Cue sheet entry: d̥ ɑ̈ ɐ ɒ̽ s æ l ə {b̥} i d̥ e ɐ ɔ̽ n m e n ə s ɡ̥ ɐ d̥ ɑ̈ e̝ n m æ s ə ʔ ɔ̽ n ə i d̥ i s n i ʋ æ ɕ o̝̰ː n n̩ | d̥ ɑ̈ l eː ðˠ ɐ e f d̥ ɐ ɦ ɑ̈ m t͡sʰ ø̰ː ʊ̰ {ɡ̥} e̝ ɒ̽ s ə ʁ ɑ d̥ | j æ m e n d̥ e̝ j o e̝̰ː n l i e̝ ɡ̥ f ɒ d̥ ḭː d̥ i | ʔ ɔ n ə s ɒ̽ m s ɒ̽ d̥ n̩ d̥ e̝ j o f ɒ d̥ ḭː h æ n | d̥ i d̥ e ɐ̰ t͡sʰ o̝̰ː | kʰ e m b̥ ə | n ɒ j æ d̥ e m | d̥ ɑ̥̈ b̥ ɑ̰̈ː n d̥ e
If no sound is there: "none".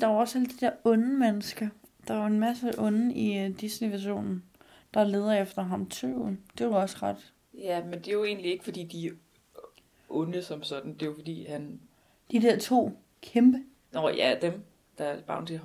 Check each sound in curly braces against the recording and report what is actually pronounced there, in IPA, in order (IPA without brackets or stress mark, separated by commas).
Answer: d̥, d̥